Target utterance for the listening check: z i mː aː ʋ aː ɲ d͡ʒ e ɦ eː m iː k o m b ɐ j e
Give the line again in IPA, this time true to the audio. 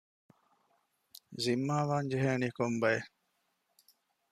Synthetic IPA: z i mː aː ʋ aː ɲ d͡ʒ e ɦ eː n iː k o m b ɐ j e